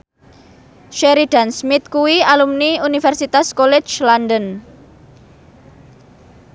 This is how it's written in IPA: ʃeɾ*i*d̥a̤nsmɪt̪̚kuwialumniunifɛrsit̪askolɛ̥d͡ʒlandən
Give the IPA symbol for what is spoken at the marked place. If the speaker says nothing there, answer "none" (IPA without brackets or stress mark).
i